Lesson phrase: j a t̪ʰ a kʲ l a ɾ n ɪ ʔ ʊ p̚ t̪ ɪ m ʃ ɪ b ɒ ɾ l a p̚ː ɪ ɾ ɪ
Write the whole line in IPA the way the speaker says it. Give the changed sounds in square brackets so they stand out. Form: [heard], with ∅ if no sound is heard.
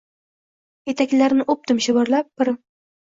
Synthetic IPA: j [e] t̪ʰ a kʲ l a ɾ n ɪ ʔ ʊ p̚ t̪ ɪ m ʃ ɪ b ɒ ɾ l a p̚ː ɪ ɾ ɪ